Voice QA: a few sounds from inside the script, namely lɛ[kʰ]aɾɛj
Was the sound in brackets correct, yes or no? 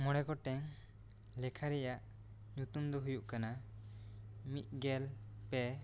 yes